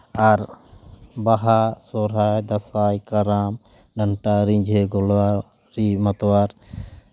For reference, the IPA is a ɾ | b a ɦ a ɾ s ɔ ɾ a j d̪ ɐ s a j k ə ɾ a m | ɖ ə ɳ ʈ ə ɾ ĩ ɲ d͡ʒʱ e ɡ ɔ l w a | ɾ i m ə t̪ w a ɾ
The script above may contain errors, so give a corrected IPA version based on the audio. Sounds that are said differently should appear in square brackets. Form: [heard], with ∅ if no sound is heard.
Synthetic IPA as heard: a ɾ | b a ɦ a [∅] s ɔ ɾ a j d̪ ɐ s a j k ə ɾ a m | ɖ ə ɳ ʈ [a] ɾ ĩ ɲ d͡ʒʱ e ɡ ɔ l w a | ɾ i m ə t̪ w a ɾ